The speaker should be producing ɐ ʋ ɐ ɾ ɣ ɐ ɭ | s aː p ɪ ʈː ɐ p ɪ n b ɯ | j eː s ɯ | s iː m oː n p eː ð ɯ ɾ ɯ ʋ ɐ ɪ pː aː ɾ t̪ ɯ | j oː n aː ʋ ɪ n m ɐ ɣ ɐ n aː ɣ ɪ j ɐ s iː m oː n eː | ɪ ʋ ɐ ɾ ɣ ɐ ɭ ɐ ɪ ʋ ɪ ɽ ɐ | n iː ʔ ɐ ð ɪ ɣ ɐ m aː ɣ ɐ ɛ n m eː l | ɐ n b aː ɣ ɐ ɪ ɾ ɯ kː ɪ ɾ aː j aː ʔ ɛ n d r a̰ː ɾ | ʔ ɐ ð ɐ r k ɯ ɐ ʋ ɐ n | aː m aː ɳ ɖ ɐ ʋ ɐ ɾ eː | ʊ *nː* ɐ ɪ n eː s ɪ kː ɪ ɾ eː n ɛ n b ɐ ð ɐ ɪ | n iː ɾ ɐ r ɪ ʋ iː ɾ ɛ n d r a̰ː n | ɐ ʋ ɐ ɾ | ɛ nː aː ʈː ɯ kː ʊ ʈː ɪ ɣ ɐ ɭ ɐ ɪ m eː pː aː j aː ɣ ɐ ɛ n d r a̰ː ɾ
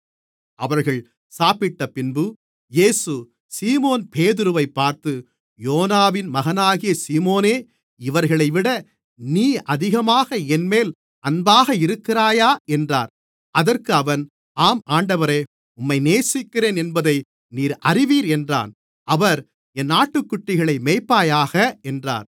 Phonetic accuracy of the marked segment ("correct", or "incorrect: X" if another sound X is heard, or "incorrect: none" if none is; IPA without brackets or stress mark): incorrect: mː